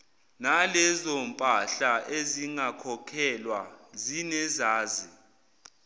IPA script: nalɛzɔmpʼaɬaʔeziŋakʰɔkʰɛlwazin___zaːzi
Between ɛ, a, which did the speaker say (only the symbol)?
ɛ